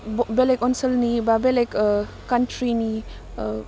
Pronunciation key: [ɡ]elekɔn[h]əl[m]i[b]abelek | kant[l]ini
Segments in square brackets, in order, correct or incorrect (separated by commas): incorrect, incorrect, incorrect, correct, incorrect